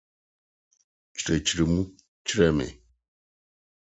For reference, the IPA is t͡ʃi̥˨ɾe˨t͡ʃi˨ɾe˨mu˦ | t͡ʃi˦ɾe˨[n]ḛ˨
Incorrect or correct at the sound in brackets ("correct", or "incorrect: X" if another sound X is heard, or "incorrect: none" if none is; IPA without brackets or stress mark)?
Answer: incorrect: m